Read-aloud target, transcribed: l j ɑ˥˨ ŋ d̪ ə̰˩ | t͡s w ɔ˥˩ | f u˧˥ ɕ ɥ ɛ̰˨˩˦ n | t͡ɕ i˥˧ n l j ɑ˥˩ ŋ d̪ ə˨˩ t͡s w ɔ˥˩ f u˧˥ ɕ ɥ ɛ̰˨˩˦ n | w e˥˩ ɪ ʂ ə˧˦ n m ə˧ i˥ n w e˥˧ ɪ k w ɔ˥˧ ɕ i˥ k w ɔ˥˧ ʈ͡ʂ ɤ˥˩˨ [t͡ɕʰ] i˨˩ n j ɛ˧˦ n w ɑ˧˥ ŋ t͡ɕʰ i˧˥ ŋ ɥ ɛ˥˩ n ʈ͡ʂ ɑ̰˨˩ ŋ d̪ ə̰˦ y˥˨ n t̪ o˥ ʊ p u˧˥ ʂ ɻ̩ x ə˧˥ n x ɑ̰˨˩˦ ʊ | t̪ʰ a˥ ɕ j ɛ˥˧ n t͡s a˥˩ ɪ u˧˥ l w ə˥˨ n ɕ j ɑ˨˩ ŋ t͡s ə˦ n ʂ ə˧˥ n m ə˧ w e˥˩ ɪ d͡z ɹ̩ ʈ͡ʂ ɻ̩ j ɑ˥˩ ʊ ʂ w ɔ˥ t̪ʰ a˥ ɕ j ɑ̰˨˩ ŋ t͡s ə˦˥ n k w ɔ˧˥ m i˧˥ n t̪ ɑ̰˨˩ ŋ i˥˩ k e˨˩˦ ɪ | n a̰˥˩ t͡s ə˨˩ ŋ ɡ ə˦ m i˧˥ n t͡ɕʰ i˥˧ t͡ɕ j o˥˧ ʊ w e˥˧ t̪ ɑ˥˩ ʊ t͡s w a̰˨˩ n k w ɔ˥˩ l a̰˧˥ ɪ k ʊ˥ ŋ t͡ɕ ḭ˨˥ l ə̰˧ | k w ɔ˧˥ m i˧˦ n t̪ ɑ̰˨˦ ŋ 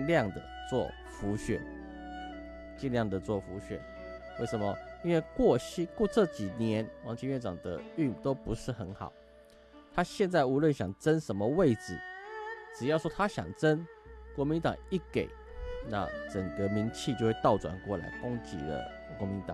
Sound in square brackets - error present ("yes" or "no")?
yes